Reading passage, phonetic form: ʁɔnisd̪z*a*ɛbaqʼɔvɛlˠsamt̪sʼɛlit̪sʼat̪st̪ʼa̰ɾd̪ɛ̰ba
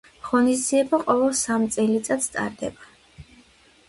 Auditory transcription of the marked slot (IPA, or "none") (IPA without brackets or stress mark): i